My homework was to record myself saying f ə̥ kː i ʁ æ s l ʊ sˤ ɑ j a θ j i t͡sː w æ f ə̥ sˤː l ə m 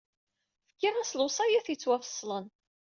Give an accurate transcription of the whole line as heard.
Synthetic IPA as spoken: f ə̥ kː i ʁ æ s l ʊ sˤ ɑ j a θ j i t͡sː w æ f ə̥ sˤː l ə n